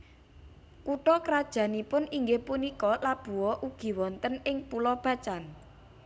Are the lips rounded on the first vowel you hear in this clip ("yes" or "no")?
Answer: yes